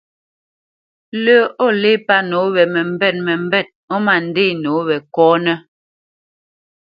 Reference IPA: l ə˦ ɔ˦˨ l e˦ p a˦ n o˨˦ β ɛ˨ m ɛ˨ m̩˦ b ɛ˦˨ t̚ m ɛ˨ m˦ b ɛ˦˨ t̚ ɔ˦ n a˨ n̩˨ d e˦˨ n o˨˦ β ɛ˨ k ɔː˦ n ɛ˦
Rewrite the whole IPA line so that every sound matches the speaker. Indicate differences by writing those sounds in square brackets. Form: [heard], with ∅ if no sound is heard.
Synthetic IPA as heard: l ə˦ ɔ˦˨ l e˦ p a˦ n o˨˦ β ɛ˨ m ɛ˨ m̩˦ b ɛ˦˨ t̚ m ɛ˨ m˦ b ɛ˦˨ t̚ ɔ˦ [m] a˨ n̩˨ d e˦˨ n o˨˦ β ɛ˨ k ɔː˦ n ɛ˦